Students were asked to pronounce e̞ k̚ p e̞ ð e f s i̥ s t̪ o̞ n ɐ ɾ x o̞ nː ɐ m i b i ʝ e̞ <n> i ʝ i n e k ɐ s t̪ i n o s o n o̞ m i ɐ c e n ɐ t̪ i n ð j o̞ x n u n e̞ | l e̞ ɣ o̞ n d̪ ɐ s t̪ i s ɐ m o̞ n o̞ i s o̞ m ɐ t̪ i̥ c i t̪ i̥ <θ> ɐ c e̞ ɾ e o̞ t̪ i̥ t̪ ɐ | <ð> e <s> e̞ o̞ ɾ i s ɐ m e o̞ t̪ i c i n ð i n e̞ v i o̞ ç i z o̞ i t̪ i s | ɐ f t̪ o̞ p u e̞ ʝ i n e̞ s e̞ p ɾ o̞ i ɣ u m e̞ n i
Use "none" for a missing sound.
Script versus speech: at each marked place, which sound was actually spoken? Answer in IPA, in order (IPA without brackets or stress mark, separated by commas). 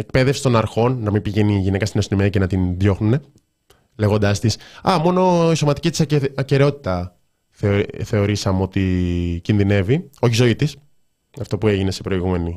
n, s, θ, θ